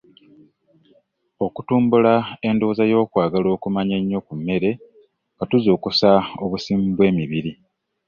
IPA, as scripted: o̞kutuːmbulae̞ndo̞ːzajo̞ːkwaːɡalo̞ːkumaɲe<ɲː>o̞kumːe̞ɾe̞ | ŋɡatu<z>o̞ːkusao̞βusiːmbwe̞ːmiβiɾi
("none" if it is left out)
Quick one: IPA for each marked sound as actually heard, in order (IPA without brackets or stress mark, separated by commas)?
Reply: ɲː, z